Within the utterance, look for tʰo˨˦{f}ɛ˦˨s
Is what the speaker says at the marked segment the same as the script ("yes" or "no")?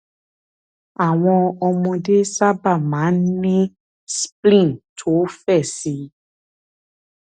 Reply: yes